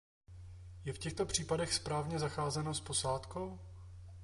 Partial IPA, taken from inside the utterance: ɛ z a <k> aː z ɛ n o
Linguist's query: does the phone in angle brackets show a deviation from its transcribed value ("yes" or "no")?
yes